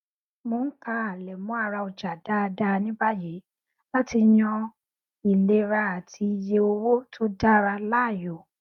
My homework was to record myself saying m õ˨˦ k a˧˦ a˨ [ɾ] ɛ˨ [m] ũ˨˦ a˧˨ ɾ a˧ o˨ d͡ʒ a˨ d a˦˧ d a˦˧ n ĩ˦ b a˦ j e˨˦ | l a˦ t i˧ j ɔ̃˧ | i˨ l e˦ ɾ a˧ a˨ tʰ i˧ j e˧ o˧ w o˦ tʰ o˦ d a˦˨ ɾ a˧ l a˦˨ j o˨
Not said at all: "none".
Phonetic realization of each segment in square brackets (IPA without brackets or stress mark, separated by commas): l, m